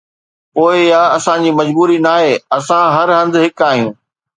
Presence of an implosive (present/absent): absent